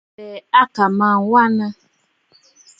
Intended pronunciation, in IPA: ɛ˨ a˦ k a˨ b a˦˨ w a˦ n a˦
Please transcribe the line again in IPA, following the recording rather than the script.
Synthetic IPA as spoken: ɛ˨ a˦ k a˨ m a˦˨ w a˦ n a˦